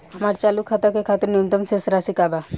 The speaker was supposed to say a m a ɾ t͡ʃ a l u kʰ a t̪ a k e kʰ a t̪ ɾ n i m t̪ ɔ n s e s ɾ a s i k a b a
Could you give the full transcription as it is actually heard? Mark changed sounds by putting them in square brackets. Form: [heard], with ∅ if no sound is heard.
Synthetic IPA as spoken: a m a ɾ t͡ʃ a l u kʰ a t̪ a k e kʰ a t̪ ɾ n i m t̪ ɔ [m] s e s ɾ a s i k a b a